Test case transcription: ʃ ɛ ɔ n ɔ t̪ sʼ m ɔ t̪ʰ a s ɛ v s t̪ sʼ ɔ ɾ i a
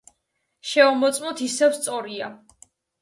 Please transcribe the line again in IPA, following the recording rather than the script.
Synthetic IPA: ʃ ɛ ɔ m ɔ t̪ sʼ m ɔ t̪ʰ i s ɛ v s t̪ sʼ ɔ ɾ i a